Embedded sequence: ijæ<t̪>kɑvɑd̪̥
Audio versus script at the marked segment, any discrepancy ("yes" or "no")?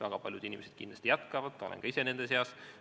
no